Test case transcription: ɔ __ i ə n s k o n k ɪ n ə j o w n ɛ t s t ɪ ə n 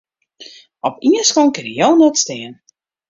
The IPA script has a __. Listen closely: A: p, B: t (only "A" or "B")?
A